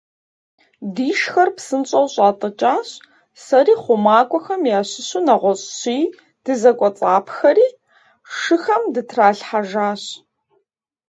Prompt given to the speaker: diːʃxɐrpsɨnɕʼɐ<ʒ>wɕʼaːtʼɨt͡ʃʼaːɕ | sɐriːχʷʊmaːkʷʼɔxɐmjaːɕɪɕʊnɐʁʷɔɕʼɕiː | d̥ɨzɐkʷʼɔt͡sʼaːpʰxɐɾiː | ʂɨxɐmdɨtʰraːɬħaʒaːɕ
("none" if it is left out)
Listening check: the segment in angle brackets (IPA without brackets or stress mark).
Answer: none